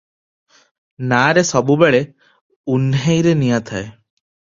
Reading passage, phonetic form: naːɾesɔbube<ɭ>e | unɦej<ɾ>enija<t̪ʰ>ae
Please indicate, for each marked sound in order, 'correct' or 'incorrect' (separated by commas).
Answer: correct, correct, correct